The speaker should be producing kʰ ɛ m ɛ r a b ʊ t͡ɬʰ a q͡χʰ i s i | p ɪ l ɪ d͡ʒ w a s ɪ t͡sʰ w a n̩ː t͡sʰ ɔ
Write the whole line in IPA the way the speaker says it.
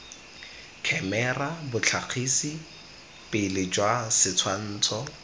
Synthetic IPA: kʰ ɛ m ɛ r a b ʊ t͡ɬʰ a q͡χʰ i s i | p ɪ l ɪ d͡ʒ w a s ɪ t͡sʰ w a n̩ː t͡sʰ ɔ